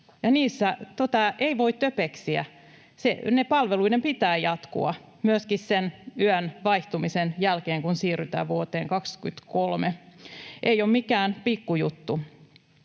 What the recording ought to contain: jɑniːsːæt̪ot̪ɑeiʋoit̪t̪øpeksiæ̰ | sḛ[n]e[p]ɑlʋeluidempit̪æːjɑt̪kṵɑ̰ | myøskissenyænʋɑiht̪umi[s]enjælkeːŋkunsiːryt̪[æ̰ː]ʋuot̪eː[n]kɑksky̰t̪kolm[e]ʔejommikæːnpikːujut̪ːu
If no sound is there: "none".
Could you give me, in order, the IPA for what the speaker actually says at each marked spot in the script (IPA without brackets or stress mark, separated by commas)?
n, p, s, æ̰ː, ŋ, e